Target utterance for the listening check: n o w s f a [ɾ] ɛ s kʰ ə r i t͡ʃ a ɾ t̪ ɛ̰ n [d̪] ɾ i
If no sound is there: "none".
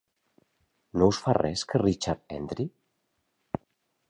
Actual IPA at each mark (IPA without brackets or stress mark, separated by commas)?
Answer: r, d̪